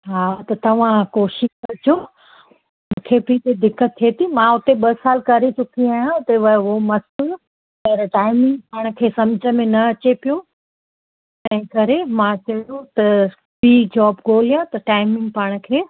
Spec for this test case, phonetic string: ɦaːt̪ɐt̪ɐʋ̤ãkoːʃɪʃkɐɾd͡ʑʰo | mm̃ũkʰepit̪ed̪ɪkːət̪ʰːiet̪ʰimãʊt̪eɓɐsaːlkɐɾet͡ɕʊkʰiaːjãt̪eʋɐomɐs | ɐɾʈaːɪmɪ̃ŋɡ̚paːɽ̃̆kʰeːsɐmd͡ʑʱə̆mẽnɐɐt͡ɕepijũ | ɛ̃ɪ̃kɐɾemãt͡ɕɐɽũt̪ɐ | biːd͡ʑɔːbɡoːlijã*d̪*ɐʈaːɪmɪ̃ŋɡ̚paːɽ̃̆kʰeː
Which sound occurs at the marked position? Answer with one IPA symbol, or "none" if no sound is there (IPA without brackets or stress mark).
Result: t̪